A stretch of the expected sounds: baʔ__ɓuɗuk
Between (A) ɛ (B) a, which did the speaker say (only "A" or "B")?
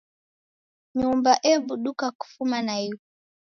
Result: A